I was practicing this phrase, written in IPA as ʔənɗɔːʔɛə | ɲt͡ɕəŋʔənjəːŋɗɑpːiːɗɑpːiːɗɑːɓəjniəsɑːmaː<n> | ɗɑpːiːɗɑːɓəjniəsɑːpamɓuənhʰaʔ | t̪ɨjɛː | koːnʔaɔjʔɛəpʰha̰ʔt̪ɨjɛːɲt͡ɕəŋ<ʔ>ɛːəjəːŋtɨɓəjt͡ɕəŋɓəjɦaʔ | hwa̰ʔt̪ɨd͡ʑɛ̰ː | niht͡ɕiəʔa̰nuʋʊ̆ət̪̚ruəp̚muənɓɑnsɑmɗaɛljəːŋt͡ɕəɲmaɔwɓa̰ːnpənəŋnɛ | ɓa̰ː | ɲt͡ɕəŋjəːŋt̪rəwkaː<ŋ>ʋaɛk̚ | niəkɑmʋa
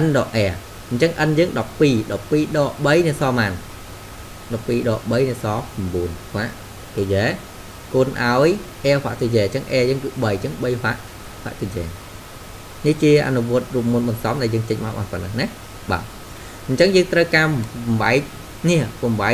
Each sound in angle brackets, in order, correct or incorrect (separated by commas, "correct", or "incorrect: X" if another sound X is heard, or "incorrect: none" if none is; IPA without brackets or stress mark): correct, correct, incorrect: m